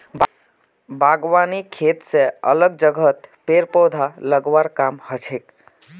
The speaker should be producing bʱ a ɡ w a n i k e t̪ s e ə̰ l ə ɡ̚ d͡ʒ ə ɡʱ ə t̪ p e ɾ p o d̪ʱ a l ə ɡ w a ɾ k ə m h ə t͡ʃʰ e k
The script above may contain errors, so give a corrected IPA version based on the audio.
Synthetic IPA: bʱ a ɡ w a n i kʰ e t̪ s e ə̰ l ə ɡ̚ d͡ʒ ə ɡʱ ə t̪ p e ɾ p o d̪ʱ a l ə ɡ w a ɾ k a m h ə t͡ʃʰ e k

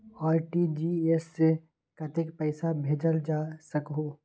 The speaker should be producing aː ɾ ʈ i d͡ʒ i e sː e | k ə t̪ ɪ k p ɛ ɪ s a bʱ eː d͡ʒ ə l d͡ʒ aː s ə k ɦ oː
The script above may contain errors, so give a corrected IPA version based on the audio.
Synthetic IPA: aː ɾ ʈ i d͡ʒ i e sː e | k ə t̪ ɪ k p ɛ ɪ s a bʱ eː d͡ʒ ə l d͡ʒ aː s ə k ɦ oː

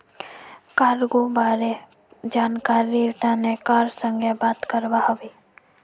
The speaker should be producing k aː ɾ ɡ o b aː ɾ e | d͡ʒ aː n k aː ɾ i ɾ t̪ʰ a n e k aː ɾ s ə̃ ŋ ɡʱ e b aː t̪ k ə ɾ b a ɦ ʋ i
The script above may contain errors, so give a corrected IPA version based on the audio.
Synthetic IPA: k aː ɾ ɡ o b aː ɾ e | d͡ʒ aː n k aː ɾ i ɾ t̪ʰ a n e k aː ɾ s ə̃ ŋ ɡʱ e b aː t̪ k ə ɾ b a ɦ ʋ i

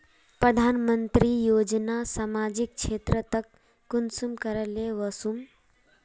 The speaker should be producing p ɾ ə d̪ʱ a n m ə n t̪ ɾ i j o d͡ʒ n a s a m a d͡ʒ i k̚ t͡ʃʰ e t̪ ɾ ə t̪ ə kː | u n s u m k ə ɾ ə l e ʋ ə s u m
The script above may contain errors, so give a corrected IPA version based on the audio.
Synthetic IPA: p ɾ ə d̪ʱ a n m ə n t̪ ɾ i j o d͡ʒ n a s a m a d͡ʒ i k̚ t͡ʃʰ e t̪ ɾ ə t̪ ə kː | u n s u m k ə ɾ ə l e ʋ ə s u m

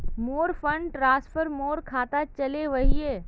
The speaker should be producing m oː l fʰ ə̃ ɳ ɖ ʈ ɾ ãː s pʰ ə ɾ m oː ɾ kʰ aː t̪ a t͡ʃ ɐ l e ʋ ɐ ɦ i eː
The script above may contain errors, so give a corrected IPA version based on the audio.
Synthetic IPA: m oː ɾ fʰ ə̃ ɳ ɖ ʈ ɾ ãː s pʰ ə ɾ m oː ɾ kʰ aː t̪ a t͡ʃ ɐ l e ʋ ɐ ɦ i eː

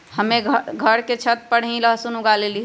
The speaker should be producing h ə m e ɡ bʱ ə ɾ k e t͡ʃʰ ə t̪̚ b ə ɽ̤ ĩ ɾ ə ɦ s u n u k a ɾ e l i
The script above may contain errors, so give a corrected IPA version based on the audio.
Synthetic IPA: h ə m e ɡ ɡʱ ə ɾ k e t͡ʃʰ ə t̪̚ p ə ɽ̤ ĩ l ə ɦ s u n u ɡ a l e l i

